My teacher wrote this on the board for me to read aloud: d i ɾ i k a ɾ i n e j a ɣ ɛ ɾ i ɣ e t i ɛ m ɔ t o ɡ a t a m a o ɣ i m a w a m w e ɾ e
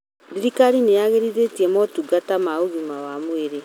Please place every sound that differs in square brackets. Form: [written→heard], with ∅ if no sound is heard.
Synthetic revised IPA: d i ɾ i k a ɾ i n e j a ɣ [ɛ→e] ɾ i [ɣ→ð] e t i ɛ m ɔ t [o→u] ɡ a t a m a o ɣ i m a w a m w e ɾ e